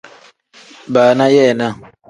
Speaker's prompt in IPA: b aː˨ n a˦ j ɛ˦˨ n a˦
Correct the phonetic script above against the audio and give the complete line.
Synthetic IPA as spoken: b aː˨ n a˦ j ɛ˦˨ n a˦